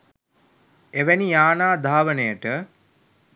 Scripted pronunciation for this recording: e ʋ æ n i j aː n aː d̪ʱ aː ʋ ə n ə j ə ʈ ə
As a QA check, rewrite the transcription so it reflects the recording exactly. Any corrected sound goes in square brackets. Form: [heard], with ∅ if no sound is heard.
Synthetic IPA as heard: e ʋ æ n i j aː n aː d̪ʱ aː ʋ ə n ə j ə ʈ ə